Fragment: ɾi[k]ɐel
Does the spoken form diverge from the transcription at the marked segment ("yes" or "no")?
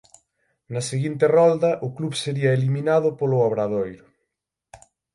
yes